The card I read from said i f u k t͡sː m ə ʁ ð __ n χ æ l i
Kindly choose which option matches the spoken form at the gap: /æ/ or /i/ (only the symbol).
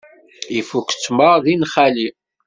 i